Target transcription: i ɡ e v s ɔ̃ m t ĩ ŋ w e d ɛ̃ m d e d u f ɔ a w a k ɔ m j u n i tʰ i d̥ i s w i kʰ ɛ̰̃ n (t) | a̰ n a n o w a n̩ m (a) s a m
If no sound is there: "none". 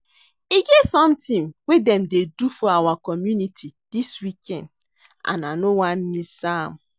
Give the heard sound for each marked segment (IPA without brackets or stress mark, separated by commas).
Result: d, i